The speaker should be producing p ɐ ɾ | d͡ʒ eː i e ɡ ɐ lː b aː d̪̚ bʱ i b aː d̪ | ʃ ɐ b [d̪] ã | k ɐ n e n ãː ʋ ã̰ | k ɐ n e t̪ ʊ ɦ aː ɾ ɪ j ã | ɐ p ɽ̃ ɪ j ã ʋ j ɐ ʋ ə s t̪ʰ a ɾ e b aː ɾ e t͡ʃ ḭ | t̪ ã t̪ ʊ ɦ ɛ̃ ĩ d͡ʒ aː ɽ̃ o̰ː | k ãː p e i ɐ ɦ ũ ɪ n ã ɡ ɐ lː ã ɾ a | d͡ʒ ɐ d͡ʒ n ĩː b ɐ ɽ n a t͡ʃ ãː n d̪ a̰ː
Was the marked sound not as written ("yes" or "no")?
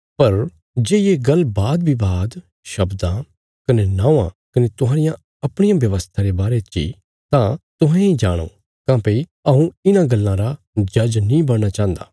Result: no